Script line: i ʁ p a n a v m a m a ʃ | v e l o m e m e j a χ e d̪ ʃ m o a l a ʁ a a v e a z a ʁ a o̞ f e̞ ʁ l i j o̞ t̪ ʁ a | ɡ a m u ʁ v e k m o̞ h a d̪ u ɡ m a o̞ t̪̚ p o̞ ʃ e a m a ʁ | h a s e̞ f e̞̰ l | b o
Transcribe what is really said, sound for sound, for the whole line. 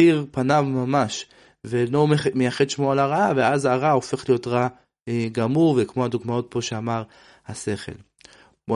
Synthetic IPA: i ʁ p a n a v m a m a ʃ | v e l o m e m e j a χ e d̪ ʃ m o a l a ʁ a a v e a z a ʁ a o̞ f e̞ χ l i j o̞ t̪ ʁ a | ɡ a m u ʁ v e k m o̞ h a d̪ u ɡ m a o̞ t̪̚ p o̞ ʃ e a m a ʁ | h a s e̞ χ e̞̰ l | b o